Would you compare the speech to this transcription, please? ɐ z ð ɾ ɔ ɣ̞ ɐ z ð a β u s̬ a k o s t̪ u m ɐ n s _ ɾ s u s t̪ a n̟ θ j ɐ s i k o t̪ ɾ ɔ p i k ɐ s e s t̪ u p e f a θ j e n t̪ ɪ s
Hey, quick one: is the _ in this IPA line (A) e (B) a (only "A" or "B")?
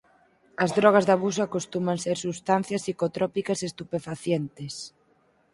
A